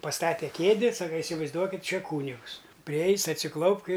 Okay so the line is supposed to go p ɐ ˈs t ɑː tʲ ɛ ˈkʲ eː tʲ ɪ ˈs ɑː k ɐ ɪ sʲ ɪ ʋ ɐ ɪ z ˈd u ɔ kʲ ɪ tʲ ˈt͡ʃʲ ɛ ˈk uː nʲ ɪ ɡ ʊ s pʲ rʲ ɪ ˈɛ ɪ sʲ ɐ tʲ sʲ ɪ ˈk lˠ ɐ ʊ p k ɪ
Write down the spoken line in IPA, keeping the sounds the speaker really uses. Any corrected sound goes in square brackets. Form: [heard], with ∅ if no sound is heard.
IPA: p ɐ ˈs t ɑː tʲ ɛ ˈkʲ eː [dʲ] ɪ ˈs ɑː k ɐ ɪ sʲ ɪ ʋ ɐ ɪ z ˈd u ɔ kʲ ɪ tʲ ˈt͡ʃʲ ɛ ˈk uː nʲ ɪ ɡ ʊ s pʲ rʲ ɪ ˈɛ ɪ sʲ ɐ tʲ sʲ ɪ ˈk lˠ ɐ ʊ p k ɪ